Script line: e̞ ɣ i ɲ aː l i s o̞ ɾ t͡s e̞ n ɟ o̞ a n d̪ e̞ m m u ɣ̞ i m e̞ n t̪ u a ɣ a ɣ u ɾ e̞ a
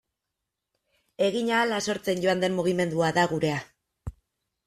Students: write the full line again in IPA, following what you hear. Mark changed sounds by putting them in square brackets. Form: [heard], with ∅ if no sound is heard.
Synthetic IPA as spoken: e̞ ɣ i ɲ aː l [a] s o̞ ɾ t͡s e̞ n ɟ o̞ a n d̪ e̞ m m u ɣ̞ i m e̞ n [d̪] u a [ð] a ɣ u ɾ e̞ a